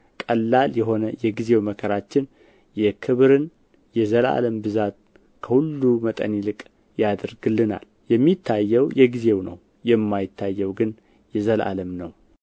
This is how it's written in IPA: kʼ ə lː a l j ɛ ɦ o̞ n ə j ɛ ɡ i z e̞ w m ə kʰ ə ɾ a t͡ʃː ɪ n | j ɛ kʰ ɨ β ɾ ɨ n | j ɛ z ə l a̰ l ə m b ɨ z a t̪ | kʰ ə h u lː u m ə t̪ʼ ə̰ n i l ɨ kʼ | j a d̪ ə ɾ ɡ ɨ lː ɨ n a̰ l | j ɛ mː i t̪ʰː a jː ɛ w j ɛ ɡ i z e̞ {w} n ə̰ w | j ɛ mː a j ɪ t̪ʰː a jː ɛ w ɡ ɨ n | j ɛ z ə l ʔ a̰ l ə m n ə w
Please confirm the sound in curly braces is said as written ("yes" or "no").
yes